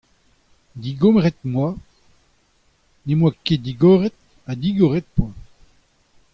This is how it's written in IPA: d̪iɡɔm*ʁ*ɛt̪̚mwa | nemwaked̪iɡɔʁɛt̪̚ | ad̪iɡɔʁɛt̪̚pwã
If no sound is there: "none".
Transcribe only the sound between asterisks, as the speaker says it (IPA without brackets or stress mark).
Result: ʁ